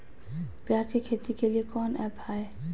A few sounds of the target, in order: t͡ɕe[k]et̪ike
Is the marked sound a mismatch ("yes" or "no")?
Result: yes